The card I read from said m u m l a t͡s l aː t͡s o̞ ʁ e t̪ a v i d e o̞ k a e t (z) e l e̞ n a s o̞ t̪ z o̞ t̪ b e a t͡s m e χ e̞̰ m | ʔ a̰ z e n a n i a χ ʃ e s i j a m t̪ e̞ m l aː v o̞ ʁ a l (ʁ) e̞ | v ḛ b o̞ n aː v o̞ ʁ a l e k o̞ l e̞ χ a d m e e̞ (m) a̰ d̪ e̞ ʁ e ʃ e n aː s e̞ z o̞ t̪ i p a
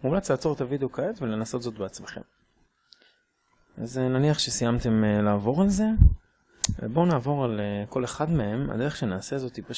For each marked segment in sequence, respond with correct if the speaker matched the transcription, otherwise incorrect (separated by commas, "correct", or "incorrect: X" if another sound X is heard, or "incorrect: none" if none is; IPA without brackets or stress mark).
incorrect: v, incorrect: z, correct